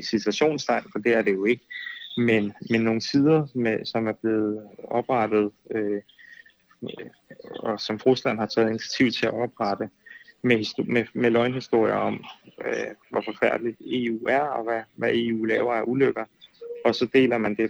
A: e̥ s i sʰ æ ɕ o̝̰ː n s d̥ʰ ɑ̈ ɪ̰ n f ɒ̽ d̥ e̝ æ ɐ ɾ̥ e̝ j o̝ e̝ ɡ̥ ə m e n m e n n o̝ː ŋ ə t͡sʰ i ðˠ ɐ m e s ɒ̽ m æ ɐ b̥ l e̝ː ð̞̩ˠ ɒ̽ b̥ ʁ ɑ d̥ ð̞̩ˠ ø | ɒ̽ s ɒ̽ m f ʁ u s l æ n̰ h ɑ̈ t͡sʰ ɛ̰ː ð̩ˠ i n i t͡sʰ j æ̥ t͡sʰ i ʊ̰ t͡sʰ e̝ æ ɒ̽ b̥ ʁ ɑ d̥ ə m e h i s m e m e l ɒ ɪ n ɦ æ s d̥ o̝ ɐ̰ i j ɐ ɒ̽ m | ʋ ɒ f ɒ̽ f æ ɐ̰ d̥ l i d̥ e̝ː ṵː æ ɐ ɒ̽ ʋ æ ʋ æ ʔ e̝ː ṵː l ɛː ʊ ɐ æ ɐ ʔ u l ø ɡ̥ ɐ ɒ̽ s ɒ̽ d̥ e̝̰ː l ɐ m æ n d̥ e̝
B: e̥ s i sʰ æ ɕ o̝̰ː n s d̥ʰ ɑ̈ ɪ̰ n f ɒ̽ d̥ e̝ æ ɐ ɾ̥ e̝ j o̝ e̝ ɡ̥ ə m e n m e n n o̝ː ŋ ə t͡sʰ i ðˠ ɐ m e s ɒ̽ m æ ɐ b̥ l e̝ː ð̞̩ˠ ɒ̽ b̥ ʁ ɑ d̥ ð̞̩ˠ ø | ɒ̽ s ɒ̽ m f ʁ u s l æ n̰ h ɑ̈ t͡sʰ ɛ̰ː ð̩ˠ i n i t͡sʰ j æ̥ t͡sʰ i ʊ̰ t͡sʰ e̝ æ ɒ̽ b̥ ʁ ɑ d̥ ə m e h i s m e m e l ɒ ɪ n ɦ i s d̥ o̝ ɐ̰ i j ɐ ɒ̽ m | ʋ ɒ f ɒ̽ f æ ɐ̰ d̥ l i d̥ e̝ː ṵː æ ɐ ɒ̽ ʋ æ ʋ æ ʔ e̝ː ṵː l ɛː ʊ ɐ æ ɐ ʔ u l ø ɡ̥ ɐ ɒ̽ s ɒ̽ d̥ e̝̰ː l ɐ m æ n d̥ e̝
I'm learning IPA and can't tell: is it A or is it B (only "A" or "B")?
B